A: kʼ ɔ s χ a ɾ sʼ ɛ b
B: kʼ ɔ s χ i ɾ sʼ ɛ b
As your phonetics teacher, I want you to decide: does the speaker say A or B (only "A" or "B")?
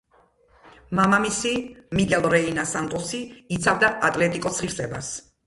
B